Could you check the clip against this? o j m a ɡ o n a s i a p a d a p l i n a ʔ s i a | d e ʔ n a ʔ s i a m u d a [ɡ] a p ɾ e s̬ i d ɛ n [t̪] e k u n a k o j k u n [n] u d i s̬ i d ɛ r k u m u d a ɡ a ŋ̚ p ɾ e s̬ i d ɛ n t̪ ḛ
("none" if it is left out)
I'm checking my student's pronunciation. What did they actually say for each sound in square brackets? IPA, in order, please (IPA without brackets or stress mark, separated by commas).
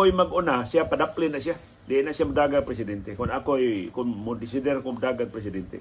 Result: ɡ, t̪, m